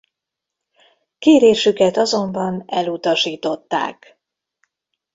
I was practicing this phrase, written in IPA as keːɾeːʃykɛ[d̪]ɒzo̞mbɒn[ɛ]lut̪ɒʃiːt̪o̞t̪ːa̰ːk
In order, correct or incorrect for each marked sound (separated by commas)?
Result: incorrect, correct